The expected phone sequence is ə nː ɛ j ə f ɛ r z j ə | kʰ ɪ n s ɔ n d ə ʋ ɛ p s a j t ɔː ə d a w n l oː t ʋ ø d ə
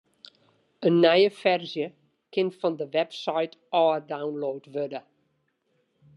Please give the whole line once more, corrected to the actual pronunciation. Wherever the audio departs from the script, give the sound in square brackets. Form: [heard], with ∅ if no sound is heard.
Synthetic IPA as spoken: ə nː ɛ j ə f ɛ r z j ə | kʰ ɪ n [f] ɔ n d ə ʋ ɛ p s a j t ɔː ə d a w n l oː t ʋ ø d ə